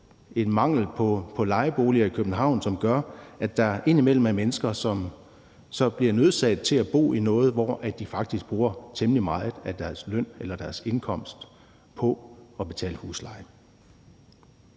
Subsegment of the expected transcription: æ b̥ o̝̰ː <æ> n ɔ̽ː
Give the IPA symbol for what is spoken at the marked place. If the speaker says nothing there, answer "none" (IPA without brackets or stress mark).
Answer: i